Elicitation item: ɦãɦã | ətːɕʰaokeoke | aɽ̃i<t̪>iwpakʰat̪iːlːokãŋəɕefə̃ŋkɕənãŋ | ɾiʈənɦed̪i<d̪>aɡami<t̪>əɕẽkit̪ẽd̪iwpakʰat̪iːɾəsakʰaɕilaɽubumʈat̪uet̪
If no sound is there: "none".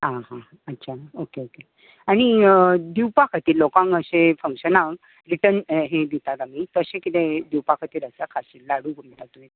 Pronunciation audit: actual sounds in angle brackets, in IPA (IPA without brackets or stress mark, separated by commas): d̪, t̪, t̪